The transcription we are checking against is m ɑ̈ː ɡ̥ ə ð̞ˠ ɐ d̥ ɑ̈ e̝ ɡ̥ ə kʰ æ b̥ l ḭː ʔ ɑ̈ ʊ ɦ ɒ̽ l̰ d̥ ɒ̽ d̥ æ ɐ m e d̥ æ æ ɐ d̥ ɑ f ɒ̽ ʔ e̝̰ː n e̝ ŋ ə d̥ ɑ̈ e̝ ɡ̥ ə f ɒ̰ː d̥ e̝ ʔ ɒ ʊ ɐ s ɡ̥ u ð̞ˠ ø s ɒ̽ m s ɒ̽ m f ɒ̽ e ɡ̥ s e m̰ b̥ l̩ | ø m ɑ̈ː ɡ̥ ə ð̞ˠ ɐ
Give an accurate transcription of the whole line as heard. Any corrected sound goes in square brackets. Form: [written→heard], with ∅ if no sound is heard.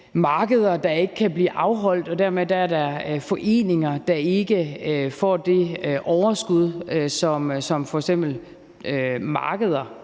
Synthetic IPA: m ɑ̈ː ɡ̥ ə ð̞ˠ ɐ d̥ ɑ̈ e̝ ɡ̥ ə kʰ æ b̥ l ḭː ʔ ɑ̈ ʊ ɦ ɒ̽ l̰ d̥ ɒ̽ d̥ æ ɐ m e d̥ æ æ ɐ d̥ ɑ f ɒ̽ ʔ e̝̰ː n e̝ ŋ [ə→ɐ] d̥ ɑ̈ e̝ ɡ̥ ə f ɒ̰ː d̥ e̝ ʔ ɒ ʊ ɐ s ɡ̥ u ð̞ˠ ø s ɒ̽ m s ɒ̽ m f ɒ̽ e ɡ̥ s e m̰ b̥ l̩ | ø m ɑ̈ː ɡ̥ ə ð̞ˠ ɐ